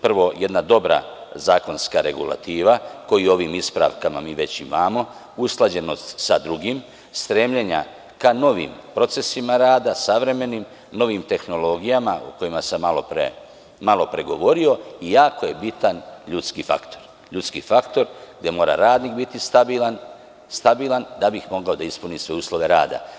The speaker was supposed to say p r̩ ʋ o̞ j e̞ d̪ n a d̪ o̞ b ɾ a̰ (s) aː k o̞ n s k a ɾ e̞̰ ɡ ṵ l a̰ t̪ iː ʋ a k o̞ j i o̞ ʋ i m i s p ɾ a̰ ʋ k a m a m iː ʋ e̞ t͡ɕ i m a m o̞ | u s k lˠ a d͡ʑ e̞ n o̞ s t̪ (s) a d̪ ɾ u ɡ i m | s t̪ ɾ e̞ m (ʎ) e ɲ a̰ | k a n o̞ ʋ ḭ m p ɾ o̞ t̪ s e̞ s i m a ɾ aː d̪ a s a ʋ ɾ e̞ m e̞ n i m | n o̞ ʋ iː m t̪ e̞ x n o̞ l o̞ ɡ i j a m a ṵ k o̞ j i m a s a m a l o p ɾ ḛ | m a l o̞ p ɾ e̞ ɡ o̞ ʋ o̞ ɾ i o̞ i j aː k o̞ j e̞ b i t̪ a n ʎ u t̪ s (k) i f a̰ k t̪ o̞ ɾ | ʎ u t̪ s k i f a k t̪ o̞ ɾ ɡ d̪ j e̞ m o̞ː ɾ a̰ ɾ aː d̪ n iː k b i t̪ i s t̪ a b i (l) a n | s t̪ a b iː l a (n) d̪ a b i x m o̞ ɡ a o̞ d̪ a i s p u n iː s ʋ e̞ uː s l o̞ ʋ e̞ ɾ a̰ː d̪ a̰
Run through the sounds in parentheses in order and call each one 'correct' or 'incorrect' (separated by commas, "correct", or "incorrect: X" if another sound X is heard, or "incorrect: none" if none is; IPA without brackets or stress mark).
incorrect: z, correct, correct, correct, correct, correct